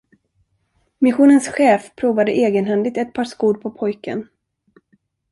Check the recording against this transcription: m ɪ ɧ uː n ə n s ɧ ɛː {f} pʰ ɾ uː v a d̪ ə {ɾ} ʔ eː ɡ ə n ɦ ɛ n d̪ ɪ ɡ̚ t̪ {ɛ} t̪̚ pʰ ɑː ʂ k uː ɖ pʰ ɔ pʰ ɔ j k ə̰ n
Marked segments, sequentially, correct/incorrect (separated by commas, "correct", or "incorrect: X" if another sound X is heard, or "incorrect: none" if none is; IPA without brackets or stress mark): correct, incorrect: none, correct